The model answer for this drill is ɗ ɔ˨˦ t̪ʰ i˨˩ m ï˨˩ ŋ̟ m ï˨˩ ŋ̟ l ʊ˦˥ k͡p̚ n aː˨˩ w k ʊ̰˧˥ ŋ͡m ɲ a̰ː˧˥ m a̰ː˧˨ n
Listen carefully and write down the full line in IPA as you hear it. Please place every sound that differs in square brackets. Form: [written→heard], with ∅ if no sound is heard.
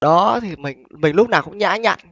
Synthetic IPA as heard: ɗ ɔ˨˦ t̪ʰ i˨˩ m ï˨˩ ŋ̟ m ï˨˩ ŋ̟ l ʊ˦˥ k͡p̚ n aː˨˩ w k ʊ̰˧˥ ŋ͡m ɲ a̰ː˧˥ [m→ɲ] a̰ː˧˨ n

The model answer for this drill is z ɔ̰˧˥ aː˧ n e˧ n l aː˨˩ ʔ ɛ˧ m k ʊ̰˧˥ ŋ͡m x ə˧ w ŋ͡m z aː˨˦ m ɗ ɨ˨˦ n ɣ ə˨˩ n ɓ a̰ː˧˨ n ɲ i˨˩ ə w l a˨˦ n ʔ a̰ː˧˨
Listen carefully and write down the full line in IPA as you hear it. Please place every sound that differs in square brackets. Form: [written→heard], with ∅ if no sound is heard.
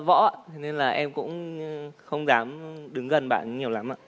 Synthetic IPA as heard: [z→v] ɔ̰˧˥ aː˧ n e˧ n l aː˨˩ ʔ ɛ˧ m k ʊ̰˧˥ ŋ͡m x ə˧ w ŋ͡m z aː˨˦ m ɗ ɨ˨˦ [n→ŋ] ɣ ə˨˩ n ɓ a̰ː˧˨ n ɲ i˨˩ ə w l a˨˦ [n→m] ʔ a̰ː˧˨

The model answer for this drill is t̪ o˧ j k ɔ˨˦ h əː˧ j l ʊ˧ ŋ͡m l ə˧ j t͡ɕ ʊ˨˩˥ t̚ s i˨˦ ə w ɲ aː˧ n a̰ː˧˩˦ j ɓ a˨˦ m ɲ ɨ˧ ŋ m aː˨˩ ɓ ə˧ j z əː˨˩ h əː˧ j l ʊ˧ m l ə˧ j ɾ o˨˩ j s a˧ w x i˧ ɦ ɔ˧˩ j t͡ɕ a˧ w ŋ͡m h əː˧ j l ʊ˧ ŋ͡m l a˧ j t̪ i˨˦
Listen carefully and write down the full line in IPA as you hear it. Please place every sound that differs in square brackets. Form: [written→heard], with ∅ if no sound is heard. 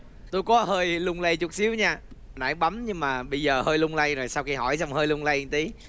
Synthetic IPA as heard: t̪ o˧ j k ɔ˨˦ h əː˧ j l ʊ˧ ŋ͡m l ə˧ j t͡ɕ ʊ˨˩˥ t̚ s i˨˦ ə w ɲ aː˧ n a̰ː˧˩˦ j ɓ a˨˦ m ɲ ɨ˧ ŋ m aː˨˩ ɓ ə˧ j z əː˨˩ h əː˧ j l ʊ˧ [m→ŋ͡m] l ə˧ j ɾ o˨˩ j s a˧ w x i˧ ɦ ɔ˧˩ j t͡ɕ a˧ w ŋ͡m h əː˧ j l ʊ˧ ŋ͡m l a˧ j t̪ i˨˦

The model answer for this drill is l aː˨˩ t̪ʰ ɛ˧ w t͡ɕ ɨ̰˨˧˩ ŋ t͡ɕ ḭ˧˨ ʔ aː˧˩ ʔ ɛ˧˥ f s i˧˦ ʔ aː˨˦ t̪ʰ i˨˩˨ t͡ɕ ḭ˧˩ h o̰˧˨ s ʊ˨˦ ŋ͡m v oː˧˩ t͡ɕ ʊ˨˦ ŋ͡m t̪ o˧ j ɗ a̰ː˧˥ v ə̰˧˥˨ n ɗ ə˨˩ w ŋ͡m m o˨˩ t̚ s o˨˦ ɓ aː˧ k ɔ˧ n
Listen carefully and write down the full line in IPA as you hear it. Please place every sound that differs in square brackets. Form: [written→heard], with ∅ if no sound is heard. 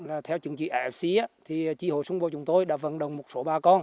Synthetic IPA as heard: l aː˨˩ t̪ʰ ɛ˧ w t͡ɕ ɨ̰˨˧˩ ŋ t͡ɕ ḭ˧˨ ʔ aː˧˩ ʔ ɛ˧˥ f s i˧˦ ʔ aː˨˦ t̪ʰ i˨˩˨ t͡ɕ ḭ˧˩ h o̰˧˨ s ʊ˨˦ ŋ͡m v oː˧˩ t͡ɕ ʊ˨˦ ŋ͡m t̪ o˧ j ɗ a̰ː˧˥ v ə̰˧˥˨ n ɗ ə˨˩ w ŋ͡m m o˨˩ t̚ s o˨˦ ɓ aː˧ k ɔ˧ n

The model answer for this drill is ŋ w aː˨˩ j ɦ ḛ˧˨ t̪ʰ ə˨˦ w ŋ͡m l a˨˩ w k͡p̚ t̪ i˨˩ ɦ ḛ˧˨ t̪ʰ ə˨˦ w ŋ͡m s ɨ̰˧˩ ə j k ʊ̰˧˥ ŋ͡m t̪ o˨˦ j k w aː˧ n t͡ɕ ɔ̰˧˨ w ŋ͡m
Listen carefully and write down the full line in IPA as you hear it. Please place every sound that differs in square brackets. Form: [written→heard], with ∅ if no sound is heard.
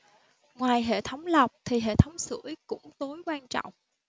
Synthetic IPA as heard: ŋ w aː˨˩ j ɦ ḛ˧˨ t̪ʰ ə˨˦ w ŋ͡m l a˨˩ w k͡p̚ [t̪→t̪ʰ] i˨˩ ɦ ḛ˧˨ t̪ʰ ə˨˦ w ŋ͡m s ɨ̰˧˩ ə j k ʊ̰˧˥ ŋ͡m t̪ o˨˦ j k w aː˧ n t͡ɕ ɔ̰˧˨ w ŋ͡m

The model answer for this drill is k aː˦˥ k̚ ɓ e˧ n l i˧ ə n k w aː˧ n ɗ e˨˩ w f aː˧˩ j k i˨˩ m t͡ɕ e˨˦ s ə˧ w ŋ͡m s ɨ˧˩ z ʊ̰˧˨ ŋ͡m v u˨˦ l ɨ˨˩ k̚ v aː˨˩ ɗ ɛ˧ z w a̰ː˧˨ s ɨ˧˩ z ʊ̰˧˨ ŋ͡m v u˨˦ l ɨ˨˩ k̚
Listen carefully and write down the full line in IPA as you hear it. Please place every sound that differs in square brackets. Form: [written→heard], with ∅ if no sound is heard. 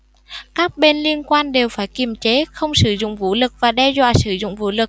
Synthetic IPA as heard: k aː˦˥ k̚ ɓ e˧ n l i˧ ə n k w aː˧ n ɗ e˨˩ w f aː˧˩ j k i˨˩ m t͡ɕ e˨˦ [s→x] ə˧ w ŋ͡m s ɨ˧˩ z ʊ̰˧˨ ŋ͡m v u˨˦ l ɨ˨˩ k̚ v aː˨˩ ɗ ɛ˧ z w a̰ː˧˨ s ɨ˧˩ z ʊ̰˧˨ ŋ͡m v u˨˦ l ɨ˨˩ k̚

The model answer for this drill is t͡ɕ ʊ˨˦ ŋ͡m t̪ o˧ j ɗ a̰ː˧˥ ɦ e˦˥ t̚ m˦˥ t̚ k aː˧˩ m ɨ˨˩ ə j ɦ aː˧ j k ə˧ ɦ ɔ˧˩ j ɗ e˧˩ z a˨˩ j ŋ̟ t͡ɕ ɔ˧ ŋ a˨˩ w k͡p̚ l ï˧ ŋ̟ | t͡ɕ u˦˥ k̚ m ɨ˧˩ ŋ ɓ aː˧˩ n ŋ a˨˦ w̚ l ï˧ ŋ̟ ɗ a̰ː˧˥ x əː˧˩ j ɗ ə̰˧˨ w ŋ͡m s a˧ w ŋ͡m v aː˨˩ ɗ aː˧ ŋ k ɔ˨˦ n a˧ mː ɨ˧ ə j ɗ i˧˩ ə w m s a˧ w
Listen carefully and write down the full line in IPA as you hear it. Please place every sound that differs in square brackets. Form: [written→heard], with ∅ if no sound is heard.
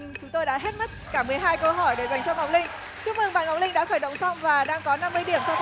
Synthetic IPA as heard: t͡ɕ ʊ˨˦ ŋ͡m t̪ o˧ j ɗ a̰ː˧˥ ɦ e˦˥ t̚ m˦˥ t̚ k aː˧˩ m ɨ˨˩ ə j ɦ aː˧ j k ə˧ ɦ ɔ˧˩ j ɗ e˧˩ z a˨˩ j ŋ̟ t͡ɕ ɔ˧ ŋ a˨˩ w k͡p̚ l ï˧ ŋ̟ | t͡ɕ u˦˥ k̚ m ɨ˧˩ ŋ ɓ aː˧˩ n ŋ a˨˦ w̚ l ï˧ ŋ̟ ɗ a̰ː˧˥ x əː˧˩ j ɗ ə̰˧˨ w ŋ͡m s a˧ w ŋ͡m v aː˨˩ ɗ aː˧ ŋ k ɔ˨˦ n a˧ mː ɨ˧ ə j ɗ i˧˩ ə [w→∅] m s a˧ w

